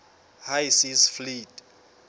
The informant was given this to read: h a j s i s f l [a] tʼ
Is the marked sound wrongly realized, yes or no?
yes